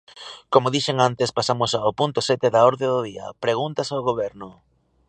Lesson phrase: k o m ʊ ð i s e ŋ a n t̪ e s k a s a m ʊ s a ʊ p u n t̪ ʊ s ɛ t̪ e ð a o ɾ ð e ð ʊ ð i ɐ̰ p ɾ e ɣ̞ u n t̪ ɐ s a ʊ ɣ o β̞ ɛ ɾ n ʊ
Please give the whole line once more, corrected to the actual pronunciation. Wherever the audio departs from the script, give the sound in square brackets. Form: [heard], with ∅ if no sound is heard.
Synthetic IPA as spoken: k o m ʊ ð i [ʃ] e ŋ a n t̪ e s [p] a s a m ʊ s a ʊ p u n t̪ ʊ s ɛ t̪ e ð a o ɾ ð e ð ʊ ð i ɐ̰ p ɾ e ɣ̞ u n t̪ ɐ s a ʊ ɣ o β̞ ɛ ɾ n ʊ